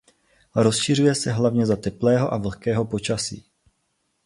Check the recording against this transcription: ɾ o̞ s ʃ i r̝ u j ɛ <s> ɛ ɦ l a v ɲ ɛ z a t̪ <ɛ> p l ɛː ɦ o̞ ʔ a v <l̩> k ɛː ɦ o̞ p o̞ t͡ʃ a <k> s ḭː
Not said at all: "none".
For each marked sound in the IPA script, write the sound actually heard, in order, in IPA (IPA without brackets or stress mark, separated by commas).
s, ɛ, l̩, none